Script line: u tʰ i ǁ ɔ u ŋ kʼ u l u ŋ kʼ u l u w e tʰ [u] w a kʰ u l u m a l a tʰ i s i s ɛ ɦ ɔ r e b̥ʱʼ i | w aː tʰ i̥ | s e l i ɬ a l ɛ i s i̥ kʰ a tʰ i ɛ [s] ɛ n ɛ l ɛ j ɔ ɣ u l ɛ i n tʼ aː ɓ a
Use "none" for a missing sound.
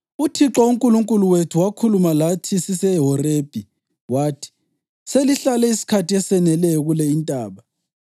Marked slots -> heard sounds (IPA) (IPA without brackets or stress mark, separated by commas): u, s